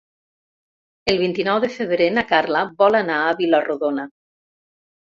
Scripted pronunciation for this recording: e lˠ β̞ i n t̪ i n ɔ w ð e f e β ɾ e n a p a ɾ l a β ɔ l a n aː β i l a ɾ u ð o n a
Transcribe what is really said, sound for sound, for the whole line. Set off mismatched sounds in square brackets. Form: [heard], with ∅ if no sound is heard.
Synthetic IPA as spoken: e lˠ β̞ i n t̪ i n ɔ w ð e f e β ɾ e n a [k] a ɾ l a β ɔ l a n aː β i l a [r] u ð o n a